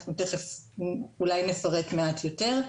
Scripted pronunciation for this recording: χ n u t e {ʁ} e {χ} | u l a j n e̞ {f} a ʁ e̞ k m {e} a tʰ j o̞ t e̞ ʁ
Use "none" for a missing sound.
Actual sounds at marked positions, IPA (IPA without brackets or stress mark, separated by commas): χ, f, f, e